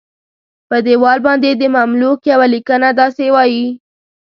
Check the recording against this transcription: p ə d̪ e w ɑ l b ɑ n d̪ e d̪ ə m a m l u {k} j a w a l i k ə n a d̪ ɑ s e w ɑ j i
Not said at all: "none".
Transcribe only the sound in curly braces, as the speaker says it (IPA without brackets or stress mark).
k